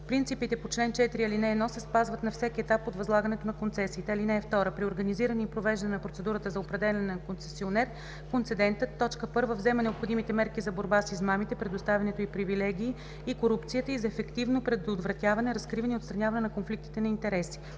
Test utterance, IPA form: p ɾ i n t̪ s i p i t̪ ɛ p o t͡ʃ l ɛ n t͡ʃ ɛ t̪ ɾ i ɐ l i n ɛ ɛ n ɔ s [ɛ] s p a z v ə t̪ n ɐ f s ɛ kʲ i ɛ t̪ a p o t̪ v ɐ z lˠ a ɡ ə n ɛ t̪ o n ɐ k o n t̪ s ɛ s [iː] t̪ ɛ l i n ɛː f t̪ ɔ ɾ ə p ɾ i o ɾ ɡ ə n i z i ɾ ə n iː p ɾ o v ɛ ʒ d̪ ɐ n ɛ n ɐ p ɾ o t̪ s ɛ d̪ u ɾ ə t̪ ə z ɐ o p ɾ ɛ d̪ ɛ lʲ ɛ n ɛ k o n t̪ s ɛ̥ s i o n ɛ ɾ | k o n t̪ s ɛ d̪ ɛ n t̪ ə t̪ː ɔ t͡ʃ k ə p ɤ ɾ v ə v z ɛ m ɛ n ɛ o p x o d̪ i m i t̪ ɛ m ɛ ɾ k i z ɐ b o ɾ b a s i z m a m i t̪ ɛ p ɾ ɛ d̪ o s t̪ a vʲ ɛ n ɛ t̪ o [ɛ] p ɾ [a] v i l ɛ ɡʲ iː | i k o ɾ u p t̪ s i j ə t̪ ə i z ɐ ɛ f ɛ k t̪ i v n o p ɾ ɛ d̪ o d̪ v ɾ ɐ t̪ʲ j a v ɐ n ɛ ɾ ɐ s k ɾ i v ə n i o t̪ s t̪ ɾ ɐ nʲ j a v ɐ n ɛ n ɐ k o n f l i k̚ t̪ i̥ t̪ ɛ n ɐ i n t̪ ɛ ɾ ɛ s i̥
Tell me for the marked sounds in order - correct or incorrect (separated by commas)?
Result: correct, correct, incorrect, incorrect